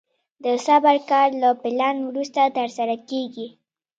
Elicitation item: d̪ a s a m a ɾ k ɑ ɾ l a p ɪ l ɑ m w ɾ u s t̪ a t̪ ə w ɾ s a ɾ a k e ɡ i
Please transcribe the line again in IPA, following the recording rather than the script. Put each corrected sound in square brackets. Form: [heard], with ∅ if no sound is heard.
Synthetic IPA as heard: d̪ [ə] s a [b] a ɾ k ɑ ɾ l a p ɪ l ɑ [n] w ɾ u s t̪ a t̪ ə [∅] ɾ s a ɾ a k e ɡ i